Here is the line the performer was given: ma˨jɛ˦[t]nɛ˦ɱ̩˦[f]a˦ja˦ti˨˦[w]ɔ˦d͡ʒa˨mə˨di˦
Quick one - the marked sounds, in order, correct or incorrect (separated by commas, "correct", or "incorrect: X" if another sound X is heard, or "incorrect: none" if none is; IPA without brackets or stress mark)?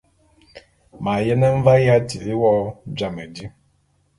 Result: incorrect: none, incorrect: v, correct